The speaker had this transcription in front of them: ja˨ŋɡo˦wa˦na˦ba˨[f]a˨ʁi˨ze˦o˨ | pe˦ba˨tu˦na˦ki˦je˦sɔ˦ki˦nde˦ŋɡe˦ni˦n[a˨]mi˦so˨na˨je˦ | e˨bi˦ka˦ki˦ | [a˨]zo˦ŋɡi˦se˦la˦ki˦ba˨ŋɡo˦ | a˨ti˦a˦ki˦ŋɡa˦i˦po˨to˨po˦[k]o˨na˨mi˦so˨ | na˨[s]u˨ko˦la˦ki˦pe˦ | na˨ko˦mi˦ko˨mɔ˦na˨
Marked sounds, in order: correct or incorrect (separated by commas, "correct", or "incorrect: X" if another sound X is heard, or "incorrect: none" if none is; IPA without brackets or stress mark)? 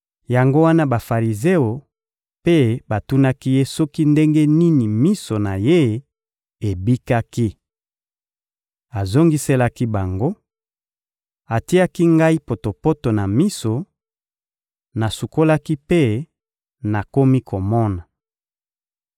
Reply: correct, incorrect: i˨, correct, incorrect: t, correct